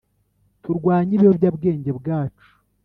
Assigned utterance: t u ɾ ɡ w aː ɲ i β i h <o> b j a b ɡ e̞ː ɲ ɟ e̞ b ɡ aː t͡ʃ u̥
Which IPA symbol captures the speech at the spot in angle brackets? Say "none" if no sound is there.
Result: o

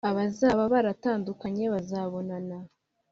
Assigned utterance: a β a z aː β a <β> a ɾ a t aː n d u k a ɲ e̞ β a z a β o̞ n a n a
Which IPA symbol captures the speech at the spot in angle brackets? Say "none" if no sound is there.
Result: β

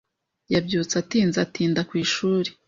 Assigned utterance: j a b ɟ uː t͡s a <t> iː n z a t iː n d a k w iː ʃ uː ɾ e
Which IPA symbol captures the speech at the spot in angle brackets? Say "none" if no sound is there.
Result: t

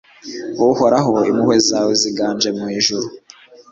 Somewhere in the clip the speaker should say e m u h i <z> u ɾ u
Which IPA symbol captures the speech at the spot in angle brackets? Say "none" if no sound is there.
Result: ʒ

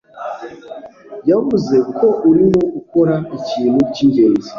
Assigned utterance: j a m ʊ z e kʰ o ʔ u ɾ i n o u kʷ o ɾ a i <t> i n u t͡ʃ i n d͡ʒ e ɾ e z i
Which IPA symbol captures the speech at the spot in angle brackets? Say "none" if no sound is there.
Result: t͡ʃ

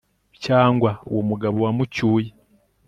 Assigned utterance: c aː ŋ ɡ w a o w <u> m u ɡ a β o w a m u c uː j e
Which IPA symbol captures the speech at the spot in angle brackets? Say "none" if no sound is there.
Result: o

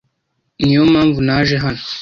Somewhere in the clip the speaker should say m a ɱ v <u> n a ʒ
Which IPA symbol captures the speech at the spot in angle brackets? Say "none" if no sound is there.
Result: u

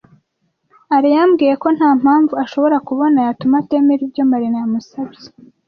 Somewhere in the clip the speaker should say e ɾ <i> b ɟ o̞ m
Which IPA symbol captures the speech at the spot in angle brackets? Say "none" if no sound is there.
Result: i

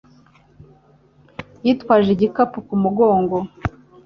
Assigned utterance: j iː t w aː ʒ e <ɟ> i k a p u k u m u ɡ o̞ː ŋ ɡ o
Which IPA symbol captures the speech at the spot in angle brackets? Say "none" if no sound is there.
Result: ɟ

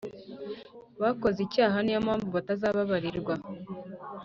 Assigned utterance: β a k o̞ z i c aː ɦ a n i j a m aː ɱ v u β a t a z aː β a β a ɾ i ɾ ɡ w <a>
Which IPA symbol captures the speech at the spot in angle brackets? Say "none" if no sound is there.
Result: a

